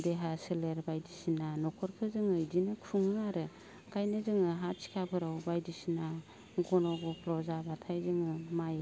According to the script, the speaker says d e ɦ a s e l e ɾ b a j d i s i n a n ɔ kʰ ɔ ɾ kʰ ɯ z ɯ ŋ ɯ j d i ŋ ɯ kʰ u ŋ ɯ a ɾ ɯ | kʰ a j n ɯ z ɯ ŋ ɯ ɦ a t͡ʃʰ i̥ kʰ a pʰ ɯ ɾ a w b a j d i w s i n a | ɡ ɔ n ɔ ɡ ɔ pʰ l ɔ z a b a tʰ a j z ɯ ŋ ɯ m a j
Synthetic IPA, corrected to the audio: d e ɦ a s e l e ɾ b a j d i s i n a n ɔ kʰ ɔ ɾ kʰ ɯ z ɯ ŋ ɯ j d i n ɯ kʰ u ŋ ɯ a ɾ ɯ | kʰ a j n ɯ z ɯ ŋ ɯ ɦ a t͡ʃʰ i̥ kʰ a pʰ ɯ ɾ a w b a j d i s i n a | ɡ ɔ n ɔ ɡ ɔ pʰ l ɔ z a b a tʰ a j z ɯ ŋ ɯ m a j